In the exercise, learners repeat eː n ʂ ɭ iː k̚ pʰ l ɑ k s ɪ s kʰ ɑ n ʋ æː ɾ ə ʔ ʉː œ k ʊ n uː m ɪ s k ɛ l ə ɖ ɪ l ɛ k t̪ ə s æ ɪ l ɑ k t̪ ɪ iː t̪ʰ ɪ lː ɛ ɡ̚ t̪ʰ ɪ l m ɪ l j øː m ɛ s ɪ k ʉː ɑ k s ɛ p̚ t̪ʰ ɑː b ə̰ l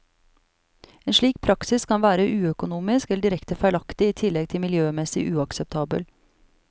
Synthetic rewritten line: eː n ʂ ɭ iː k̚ pʰ ɾ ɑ k s ɪ s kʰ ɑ n ʋ æː ɾ ə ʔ ʉː œ k ʊ n uː m ɪ s k ɛ l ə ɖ ɪ ɾ ɛ k t̪ ə f æ ɪ l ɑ k t̪ ɪ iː t̪ʰ ɪ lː ɛ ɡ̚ t̪ʰ ɪ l m ɪ l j øː m ɛ s ɪ ʔ ʉː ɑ k s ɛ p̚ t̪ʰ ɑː b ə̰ l